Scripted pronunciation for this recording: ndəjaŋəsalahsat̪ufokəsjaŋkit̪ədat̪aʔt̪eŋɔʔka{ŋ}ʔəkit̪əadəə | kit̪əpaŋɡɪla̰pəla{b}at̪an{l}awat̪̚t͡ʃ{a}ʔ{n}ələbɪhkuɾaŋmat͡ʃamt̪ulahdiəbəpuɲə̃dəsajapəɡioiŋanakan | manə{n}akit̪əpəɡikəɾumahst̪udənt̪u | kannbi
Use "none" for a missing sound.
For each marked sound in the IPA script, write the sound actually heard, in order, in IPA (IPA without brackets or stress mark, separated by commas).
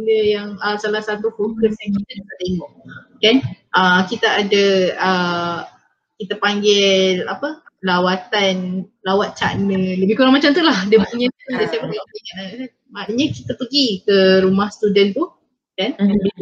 n, w, l, a, n, ɲ